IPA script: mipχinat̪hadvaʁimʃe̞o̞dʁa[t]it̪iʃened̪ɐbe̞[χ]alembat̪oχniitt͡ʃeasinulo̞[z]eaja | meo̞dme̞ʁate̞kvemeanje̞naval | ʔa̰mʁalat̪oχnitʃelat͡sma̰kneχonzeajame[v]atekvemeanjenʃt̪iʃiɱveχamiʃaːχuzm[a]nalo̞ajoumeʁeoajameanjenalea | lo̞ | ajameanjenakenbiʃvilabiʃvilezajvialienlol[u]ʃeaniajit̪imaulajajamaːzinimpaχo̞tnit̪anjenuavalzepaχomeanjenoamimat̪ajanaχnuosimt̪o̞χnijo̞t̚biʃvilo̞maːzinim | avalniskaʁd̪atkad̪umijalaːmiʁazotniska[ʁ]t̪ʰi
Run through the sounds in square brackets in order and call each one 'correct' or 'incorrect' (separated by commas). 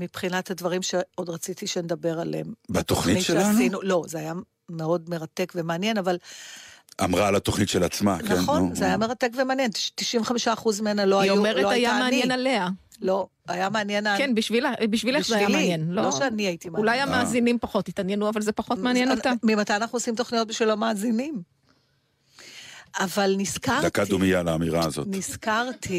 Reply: incorrect, incorrect, correct, incorrect, incorrect, incorrect, correct